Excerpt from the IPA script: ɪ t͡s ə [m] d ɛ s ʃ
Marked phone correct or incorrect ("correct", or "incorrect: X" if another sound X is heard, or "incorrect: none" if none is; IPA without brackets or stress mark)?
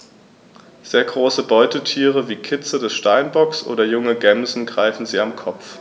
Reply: incorrect: none